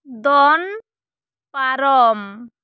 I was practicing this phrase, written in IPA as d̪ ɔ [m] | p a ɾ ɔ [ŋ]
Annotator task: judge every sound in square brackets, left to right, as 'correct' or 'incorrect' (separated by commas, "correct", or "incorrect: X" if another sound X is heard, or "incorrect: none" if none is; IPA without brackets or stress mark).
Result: incorrect: n, incorrect: m